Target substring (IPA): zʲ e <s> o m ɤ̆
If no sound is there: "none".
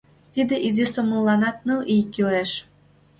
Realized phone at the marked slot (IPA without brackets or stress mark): s